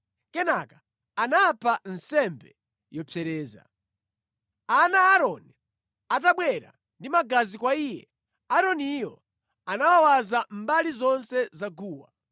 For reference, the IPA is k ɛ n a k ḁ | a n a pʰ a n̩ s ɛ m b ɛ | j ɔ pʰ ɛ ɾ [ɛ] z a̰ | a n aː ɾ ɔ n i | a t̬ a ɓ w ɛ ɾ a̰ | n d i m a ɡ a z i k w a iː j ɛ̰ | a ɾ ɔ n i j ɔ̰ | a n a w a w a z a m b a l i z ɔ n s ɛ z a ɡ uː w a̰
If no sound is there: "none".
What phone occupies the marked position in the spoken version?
ɛː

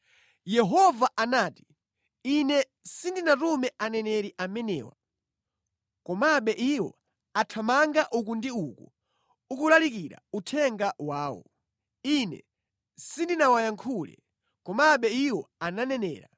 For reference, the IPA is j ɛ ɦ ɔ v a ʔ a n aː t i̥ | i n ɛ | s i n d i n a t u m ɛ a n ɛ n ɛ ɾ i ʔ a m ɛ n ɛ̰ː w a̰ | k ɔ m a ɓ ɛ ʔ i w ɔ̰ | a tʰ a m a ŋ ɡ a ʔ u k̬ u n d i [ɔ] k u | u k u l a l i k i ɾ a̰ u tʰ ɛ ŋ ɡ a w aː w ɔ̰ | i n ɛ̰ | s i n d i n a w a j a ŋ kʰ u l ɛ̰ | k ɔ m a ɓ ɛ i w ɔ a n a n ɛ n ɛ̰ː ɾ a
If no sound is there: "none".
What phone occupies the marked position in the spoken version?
u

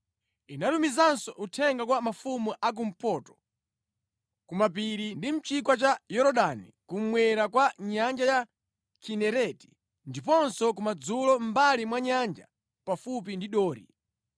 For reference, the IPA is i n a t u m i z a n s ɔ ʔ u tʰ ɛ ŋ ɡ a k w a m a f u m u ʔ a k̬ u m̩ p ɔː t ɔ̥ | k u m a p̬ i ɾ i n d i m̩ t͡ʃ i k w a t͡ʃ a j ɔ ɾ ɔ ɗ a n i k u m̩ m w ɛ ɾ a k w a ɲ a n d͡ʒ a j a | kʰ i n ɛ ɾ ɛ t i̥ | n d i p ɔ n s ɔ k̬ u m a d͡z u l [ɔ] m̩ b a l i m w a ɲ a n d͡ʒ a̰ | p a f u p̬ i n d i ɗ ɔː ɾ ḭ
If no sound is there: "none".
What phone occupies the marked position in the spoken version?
ɔ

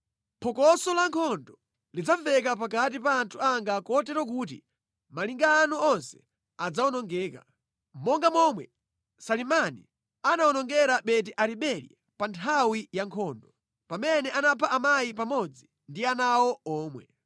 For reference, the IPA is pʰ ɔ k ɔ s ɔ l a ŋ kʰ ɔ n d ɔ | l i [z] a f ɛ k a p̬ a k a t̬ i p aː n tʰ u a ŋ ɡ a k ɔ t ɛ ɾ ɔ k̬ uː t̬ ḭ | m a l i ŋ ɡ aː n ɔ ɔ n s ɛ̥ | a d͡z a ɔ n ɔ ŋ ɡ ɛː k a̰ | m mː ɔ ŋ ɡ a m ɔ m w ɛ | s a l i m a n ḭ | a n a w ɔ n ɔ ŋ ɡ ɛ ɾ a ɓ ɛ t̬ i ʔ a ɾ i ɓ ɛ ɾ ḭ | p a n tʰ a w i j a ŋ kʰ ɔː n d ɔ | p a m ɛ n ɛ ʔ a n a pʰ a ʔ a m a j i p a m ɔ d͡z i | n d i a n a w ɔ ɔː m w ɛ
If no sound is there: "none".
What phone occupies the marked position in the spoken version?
d͡z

